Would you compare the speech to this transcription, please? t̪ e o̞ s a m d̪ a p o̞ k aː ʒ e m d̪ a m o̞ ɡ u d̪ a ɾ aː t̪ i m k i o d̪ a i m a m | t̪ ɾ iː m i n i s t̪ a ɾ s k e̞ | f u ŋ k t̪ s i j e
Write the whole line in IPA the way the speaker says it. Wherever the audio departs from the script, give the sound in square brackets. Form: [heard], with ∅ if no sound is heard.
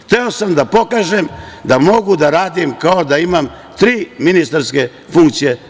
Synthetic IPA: t̪ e o̞ s a m d̪ a p o̞ k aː ʒ e m d̪ a m o̞ ɡ u d̪ a ɾ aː [d̪] i m k [a] o d̪ a i m a m | t̪ ɾ iː m i n i s t̪ a ɾ s k e̞ | f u ŋ k t̪ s i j e